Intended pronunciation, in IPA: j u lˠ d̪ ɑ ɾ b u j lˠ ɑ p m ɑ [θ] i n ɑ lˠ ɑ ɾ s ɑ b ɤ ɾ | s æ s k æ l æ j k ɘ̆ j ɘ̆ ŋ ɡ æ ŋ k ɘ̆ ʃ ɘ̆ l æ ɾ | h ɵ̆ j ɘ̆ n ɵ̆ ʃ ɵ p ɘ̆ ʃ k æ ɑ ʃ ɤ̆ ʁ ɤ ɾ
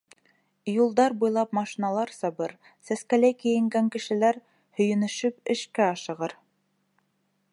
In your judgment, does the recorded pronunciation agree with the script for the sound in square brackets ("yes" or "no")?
no